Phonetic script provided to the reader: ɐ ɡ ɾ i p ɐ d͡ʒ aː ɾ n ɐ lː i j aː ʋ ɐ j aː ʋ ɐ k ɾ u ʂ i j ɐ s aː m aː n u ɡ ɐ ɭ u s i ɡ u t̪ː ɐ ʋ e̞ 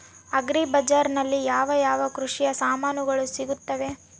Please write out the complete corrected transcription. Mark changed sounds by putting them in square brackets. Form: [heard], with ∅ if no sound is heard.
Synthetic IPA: ɐ ɡ ɾ i [b] ɐ d͡ʒ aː ɾ n ɐ lː i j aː ʋ ɐ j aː ʋ ɐ k ɾ u ʂ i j ɐ s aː m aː n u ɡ ɐ ɭ u s i ɡ u t̪ː ɐ ʋ e̞

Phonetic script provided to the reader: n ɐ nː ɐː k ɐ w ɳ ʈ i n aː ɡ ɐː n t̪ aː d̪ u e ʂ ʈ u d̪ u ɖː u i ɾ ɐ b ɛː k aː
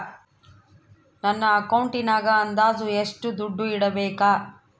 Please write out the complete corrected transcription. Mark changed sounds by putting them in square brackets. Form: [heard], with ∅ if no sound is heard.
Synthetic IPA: n ɐ nː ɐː k ɐ w ɳ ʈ i n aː ɡ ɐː n [d̪] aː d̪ u e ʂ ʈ u d̪ u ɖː u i [ɽ] ɐ b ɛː k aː

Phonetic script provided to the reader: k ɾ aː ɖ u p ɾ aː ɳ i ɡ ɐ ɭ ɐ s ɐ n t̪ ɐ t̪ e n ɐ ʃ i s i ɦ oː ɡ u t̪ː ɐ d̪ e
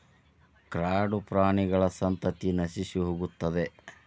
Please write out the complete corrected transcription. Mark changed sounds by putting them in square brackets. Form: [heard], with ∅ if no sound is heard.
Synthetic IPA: k ɾ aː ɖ u p ɾ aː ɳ i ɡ ɐ ɭ ɐ s ɐ n t̪ ɐ t̪ [i] n ɐ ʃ i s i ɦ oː ɡ u t̪ː ɐ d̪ e

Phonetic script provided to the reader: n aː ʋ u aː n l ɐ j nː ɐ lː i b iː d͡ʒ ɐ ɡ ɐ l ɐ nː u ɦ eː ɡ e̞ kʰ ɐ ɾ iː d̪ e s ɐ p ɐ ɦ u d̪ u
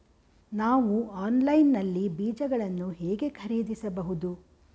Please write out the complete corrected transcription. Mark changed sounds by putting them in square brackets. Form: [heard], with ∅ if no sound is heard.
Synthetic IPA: n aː ʋ u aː n l ɐ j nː ɐ lː i b iː d͡ʒ ɐ ɡ ɐ [ɭ] ɐ nː u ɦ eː ɡ e̞ kʰ ɐ ɾ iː d̪ [i] s ɐ [b] ɐ ɦ u d̪ u

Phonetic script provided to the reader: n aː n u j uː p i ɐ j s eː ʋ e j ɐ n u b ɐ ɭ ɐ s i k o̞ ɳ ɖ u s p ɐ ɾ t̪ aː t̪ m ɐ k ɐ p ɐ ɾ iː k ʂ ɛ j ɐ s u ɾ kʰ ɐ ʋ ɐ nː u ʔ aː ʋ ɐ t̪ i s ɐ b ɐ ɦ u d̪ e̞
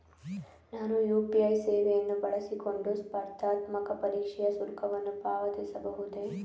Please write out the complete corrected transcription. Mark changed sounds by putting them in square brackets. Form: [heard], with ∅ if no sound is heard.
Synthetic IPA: n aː n u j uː p i ɐ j s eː ʋ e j ɐ [nː] u b ɐ ɭ ɐ s i k o̞ ɳ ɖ u s p ɐ ɾ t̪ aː t̪ m ɐ k ɐ p ɐ ɾ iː k ʂ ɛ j ɐ s u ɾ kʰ ɐ ʋ ɐ nː u [p] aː ʋ ɐ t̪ i s ɐ b ɐ ɦ u d̪ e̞

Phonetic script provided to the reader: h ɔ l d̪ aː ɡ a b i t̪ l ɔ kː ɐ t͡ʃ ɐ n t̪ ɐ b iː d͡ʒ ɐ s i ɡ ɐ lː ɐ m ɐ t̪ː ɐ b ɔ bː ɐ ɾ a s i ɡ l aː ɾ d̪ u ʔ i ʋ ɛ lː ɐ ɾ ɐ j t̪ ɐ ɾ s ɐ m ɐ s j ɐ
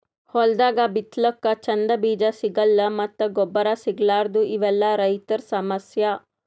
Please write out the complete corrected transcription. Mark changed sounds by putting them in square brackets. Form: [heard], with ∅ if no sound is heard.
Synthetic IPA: h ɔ l d̪ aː ɡ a b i t̪ l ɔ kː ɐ t͡ʃ ɐ n [d̪] ɐ b iː d͡ʒ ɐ s i ɡ ɐ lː ɐ m ɐ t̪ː ɐ [ɡ] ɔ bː ɐ ɾ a s i ɡ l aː ɾ d̪ u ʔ i ʋ ɛ lː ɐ ɾ ɐ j t̪ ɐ ɾ s ɐ m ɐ s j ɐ

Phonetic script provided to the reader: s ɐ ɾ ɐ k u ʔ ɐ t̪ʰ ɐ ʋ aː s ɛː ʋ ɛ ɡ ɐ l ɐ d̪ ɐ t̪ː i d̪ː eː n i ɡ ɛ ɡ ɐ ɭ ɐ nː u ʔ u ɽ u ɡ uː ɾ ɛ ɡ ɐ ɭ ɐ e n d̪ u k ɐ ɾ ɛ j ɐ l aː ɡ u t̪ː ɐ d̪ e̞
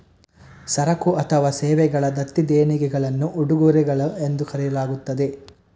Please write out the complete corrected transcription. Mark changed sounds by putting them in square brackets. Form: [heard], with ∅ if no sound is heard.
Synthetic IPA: s ɐ ɾ ɐ k u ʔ ɐ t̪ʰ ɐ ʋ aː s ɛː ʋ ɛ ɡ ɐ [ɭ] ɐ d̪ ɐ t̪ː i [d̪] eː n i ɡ ɛ ɡ ɐ ɭ ɐ nː u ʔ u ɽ u ɡ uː ɾ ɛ ɡ ɐ ɭ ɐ e n d̪ u k ɐ ɾ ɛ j ɐ l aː ɡ u t̪ː ɐ d̪ e̞

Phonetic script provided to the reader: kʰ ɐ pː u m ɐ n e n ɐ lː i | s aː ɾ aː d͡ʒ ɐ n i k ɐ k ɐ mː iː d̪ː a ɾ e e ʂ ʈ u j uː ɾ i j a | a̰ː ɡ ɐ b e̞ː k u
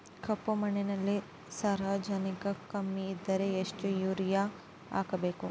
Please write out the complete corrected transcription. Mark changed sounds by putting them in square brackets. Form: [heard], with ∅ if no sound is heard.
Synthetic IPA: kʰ ɐ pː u m ɐ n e n ɐ lː i | s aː ɾ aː d͡ʒ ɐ n i k ɐ k ɐ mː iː d̪ː [ɐ] ɾ e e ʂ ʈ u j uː ɾ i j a | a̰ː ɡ ɐ b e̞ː k u

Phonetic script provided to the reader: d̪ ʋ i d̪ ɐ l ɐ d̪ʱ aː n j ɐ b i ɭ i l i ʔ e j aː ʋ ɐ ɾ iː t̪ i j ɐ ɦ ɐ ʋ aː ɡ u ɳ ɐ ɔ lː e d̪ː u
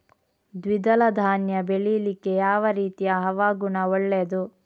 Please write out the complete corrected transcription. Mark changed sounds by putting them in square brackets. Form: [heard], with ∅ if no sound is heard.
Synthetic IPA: d̪ ʋ i d̪ ɐ l ɐ d̪ʱ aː n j ɐ b [e] ɭ i l i [k] e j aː ʋ ɐ ɾ iː t̪ i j ɐ ɦ ɐ ʋ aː ɡ u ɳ ɐ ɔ [ɭː] e [d̪] u

